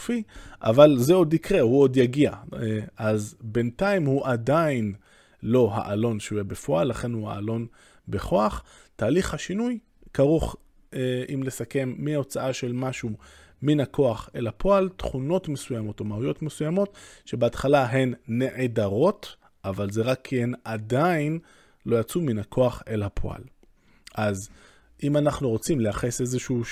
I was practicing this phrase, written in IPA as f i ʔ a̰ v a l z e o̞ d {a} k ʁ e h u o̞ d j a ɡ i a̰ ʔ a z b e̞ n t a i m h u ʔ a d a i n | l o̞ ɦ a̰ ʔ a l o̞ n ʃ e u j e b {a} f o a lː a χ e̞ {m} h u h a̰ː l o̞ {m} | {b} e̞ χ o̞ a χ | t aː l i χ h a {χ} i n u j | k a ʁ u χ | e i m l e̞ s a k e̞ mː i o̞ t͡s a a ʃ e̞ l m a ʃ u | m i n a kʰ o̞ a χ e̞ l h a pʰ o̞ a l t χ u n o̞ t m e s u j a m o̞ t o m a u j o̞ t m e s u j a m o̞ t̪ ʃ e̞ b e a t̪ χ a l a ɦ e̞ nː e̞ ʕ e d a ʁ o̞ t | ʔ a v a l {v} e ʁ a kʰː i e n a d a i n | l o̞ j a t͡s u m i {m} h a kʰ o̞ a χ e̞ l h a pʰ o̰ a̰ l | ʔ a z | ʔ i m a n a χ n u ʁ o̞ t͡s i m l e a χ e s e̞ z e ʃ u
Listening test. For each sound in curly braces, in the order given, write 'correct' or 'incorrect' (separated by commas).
incorrect, incorrect, incorrect, incorrect, correct, incorrect, incorrect, incorrect